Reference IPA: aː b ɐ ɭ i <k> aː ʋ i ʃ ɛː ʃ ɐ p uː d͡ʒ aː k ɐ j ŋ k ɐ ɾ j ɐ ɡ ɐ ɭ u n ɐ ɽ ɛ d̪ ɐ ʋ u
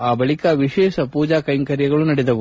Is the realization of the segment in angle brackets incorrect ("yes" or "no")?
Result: no